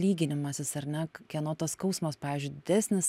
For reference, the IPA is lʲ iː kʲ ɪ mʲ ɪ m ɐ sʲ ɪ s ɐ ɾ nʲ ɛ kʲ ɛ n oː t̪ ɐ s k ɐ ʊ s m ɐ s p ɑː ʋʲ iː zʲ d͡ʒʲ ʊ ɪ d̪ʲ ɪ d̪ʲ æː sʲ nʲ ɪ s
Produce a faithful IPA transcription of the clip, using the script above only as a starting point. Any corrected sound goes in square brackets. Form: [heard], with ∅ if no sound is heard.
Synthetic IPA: lʲ iː [ɡʲ] ɪ [nʲ] ɪ m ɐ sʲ ɪ s ɐ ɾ nʲ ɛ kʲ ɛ n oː t̪ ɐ s k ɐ ʊ s m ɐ s p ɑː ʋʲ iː zʲ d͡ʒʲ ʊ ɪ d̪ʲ ɪ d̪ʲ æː sʲ nʲ ɪ s